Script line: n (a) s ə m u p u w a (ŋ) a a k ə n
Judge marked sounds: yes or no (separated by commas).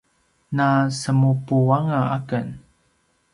yes, yes